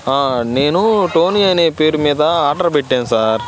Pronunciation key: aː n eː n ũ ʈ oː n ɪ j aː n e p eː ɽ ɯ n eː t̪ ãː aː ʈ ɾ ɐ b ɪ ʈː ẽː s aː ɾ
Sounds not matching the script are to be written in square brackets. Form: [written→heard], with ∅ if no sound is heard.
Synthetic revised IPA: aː n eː n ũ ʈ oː n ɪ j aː n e p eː [ɽ→ɾ] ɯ [n→m] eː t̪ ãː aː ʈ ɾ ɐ b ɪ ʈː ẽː s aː ɾ